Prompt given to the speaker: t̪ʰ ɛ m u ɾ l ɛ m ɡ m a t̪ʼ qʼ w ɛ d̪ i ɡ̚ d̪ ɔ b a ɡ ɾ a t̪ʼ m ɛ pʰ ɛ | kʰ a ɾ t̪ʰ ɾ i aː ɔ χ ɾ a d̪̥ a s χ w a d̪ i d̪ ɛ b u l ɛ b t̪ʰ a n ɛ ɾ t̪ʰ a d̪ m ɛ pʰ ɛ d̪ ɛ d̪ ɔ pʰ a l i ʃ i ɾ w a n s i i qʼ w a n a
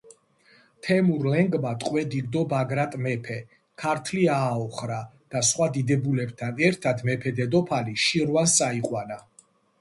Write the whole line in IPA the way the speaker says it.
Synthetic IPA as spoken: t̪ʰ ɛ m u ɾ l ɛ ŋ ɡ m a t̪ʼ qʼ w ɛ d̪ i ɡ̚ d̪ ɔ b a ɡ ɾ a t̪ʼ m ɛ pʰ ɛ | kʰ a ɾ t̪ʰ l i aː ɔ χ ɾ a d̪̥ a s χ w a d̪ i d̪ ɛ b u l ɛ b t̪ʰ a n ɛ ɾ t̪ʰ a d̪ m ɛ pʰ ɛ d̪ ɛ d̪ ɔ pʰ a l i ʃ i ɾ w a n s a i qʼ w a n a